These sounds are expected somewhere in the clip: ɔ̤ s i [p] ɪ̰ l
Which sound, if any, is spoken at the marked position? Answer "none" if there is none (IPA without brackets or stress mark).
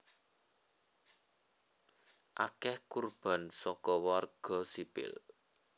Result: p